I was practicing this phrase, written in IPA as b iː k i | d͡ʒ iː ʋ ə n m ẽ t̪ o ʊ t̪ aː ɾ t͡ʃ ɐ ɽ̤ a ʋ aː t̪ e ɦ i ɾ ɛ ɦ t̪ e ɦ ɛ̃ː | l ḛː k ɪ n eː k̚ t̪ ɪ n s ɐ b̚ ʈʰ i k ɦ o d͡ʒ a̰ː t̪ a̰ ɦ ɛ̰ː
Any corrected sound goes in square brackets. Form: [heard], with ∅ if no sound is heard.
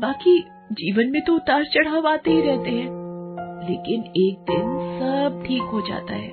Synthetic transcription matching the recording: b [aː] k i | d͡ʒ iː ʋ ə n m ẽ t̪ o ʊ t̪ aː ɾ t͡ʃ ɐ ɽ̤ a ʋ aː t̪ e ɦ i ɾ ɛ ɦ t̪ e ɦ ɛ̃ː | l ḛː k ɪ n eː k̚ [d̪] ɪ n s ɐ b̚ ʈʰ [iː] k ɦ o d͡ʒ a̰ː t̪ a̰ ɦ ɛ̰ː